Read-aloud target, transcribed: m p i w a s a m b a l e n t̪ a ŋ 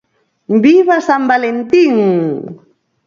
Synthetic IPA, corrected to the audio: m b i β a s a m b a l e n t̪ i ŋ